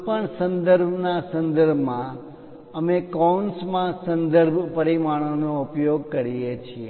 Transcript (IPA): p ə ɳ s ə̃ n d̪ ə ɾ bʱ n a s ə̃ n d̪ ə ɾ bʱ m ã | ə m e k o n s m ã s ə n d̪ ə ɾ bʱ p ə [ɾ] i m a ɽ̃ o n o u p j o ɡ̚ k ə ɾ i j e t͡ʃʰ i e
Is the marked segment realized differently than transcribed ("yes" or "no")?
no